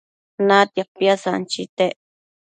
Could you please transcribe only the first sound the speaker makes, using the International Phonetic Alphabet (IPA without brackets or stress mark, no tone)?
n